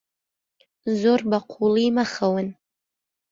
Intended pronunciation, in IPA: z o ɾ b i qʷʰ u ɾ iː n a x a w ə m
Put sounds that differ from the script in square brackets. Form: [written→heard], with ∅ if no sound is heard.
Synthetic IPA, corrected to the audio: z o [ɾ→r] b [i→a] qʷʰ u [ɾ→l] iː [n→m] a [x→χ] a w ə [m→n]